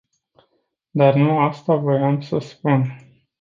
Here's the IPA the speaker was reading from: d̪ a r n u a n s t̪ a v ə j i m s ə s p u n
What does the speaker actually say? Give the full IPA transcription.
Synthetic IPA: d̪ a r n u a s t̪ a v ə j a m s ə s p u n